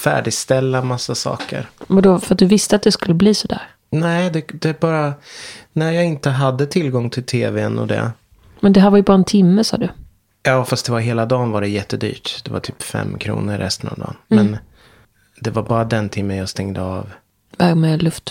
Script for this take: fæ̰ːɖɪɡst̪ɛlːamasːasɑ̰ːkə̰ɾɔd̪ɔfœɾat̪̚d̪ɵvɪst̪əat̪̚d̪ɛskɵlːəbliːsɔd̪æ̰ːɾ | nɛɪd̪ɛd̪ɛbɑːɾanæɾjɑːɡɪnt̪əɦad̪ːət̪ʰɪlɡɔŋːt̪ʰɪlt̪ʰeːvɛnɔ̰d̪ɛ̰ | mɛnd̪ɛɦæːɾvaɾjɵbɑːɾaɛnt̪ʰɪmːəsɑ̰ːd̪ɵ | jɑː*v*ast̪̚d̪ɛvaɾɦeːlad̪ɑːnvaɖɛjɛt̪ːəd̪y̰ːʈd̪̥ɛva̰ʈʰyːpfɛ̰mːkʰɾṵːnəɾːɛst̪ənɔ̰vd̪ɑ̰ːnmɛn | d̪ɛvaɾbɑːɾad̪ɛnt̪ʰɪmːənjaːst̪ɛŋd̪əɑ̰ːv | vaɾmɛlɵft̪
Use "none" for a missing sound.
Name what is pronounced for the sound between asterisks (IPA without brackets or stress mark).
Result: f